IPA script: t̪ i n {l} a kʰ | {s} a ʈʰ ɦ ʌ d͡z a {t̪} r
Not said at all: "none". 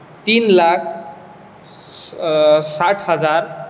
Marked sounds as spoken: l, s, none

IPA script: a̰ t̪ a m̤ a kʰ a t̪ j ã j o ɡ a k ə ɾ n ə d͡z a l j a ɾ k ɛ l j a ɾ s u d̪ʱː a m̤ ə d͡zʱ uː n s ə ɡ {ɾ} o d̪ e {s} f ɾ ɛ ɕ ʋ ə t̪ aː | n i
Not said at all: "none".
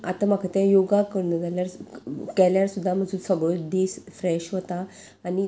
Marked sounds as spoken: ɭ, s

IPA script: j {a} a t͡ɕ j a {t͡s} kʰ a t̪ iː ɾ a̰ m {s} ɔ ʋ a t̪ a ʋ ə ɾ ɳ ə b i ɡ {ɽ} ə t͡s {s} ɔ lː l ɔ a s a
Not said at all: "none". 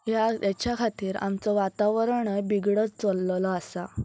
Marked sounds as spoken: a, none, t͡s, ɽ, t͡s

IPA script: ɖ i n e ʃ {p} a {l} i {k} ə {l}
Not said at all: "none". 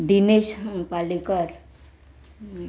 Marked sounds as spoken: p, l, k, ɾ

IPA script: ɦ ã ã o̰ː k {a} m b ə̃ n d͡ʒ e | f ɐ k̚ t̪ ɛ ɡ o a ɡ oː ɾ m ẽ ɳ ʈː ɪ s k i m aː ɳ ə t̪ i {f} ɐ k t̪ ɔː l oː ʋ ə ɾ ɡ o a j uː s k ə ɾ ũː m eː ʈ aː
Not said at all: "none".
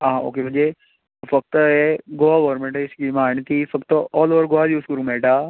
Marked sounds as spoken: e, f

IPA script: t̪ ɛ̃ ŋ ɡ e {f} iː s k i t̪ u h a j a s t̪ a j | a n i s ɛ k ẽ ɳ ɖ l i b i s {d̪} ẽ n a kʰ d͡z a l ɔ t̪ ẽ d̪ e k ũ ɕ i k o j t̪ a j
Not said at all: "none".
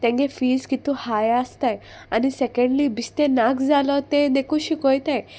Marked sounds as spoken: f, t̪

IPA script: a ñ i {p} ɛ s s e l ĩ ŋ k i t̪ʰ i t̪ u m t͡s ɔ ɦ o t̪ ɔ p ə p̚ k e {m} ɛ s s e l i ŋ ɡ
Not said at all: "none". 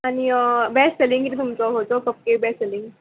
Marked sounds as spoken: b, b

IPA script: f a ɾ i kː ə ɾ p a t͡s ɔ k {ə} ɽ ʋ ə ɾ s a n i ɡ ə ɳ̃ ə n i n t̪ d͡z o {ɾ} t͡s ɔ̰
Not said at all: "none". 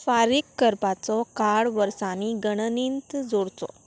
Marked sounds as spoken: a, ɽ

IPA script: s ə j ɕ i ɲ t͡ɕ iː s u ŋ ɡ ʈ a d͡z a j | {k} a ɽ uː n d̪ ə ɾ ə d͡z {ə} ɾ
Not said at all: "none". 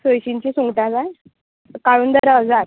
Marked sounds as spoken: k, a

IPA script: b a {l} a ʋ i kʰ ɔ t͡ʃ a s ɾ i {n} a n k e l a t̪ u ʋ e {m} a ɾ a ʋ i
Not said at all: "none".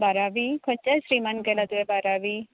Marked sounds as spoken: ɾ, m, b

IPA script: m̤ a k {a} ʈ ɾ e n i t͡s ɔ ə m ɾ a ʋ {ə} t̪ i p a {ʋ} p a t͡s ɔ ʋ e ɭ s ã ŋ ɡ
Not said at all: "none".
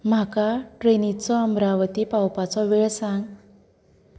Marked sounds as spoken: a, ə, w

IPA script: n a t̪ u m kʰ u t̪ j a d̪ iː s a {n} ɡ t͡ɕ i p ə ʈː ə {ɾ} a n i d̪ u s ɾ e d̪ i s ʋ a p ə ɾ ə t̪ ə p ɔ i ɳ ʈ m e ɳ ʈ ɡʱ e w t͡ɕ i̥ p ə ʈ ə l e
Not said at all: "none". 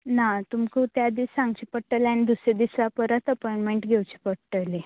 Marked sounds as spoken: ŋ, l

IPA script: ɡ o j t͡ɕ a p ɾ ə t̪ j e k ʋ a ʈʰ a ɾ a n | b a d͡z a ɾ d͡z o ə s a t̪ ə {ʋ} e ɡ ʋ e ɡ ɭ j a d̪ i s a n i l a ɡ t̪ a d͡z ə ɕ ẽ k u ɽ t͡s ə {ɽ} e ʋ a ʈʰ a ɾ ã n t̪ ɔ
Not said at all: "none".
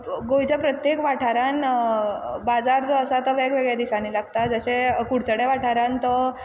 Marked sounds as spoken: ʋ, ɽ

